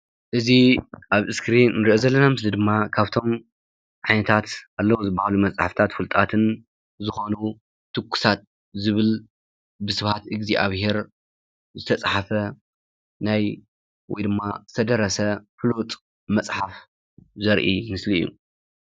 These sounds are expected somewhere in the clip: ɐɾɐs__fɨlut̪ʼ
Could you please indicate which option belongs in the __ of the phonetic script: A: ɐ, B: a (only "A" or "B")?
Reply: A